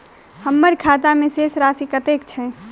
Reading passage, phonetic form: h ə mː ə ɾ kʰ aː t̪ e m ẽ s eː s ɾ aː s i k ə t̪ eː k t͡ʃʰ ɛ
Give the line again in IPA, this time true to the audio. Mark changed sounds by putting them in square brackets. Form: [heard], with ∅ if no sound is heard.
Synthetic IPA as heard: h ə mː ə ɾ kʰ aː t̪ [a] m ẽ s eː s ɾ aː s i k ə t̪ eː k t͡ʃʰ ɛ